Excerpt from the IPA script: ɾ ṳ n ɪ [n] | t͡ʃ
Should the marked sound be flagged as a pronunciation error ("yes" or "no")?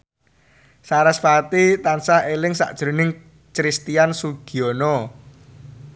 yes